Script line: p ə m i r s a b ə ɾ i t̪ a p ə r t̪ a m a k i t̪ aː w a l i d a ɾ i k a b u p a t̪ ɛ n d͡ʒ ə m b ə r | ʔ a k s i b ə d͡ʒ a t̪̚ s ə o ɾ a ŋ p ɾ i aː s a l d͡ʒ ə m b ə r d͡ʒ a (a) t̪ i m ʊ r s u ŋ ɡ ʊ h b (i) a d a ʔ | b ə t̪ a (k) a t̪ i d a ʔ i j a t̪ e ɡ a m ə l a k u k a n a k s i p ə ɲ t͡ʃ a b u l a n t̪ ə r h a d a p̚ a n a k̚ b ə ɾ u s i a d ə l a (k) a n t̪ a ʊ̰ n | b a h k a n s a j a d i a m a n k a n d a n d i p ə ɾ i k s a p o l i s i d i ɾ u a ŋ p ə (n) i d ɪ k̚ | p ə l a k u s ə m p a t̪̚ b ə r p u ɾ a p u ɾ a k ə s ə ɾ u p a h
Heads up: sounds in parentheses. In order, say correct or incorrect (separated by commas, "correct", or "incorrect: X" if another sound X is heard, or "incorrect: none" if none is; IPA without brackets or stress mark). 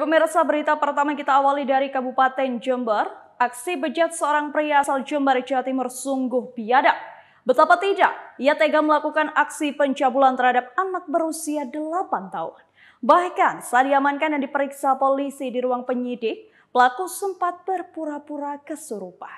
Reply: correct, correct, incorrect: p, incorrect: p, incorrect: ɲ